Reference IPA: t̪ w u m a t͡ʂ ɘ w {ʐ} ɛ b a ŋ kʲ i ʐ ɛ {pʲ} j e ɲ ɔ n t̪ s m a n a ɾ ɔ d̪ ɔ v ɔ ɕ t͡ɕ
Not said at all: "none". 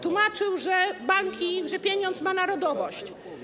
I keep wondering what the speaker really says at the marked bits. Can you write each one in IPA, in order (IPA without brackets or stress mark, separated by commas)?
ʐ, pʲ